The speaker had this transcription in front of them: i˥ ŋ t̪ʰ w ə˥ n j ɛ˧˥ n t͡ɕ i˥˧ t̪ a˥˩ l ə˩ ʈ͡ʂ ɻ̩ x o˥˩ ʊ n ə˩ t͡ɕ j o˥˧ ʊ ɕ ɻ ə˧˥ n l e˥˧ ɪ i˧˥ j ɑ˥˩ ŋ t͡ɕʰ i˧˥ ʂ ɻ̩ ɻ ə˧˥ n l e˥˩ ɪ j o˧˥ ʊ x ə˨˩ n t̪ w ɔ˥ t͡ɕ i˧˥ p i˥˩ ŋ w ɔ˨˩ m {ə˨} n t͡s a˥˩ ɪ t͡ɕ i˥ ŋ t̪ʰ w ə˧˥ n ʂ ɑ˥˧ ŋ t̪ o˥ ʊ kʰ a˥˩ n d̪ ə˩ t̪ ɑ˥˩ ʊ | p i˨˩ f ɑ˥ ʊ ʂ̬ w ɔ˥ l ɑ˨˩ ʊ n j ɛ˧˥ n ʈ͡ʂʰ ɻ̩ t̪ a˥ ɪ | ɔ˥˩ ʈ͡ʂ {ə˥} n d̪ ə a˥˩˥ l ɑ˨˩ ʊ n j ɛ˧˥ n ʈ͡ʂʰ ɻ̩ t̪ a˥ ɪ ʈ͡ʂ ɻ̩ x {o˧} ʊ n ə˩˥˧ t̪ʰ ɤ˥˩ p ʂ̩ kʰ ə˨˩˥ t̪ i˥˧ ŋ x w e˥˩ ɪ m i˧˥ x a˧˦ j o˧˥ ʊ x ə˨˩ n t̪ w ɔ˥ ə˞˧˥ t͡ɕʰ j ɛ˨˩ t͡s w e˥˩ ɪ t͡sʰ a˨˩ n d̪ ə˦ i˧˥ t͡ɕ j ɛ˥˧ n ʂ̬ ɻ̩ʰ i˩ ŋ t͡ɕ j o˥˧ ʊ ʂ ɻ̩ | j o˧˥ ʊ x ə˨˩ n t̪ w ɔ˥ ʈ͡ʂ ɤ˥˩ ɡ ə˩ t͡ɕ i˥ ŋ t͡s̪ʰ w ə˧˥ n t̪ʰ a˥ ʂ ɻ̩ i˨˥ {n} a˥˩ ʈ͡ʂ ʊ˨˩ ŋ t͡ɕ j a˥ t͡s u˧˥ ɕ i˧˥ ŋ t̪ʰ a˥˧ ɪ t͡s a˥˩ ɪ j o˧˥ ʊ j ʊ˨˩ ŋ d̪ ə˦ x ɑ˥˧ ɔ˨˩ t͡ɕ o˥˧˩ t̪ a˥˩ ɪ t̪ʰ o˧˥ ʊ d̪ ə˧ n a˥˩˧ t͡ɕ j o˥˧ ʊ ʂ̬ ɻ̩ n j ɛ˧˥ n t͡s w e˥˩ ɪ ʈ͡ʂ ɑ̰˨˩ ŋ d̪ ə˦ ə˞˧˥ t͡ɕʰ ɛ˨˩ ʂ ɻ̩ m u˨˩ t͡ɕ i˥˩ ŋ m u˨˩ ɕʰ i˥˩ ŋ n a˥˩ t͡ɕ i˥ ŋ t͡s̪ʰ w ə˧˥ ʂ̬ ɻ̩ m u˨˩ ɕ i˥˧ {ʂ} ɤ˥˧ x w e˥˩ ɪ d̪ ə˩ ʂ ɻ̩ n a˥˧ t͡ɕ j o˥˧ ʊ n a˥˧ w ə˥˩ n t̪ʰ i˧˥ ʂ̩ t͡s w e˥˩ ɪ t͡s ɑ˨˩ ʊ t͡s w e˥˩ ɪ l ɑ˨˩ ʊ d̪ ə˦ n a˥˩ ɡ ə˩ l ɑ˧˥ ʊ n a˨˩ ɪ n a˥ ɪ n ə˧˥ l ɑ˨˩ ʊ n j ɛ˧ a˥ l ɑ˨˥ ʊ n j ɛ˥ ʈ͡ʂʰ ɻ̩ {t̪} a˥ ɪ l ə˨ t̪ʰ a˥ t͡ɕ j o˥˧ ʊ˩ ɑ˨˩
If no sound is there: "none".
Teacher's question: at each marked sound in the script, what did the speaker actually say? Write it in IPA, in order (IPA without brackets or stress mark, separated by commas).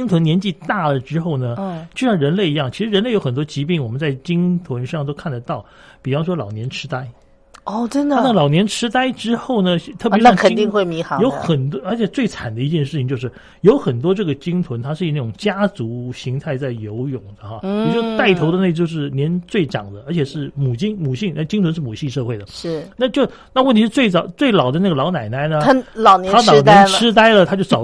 ə˦, ə˥, o˥˩, n, ʂ, t̪